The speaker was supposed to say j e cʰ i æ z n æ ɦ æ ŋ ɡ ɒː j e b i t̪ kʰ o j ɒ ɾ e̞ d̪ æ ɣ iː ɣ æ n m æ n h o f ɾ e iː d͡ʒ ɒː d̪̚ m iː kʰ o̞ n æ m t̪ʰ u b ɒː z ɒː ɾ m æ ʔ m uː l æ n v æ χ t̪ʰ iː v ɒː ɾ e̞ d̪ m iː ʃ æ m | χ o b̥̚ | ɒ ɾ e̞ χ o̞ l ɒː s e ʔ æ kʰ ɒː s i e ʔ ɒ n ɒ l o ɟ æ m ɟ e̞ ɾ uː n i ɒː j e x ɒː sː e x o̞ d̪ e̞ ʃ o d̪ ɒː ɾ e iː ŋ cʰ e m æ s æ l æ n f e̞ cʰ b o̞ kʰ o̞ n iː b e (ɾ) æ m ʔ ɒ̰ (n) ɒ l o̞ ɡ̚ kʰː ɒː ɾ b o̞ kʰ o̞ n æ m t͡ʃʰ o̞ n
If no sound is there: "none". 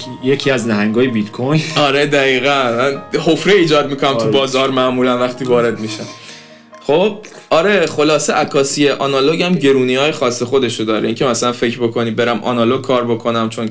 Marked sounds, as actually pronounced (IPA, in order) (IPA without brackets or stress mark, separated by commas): ɾ, n